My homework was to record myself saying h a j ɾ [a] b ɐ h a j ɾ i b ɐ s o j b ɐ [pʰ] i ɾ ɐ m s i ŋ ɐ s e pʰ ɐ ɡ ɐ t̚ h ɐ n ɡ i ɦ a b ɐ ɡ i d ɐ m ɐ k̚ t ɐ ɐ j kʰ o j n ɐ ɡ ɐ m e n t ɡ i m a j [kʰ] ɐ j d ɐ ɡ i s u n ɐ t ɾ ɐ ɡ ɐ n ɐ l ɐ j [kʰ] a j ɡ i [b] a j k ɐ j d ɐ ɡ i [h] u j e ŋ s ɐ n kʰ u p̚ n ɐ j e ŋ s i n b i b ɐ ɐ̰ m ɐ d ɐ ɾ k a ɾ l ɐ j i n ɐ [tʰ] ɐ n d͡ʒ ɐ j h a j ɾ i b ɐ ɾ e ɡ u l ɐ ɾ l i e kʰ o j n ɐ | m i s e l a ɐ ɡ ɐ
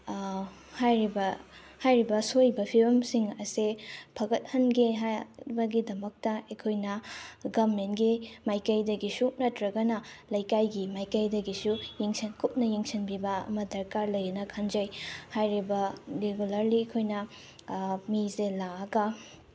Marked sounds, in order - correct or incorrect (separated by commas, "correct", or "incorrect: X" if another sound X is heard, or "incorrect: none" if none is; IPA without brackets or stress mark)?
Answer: incorrect: i, correct, incorrect: k, incorrect: k, incorrect: m, incorrect: s, incorrect: kʰ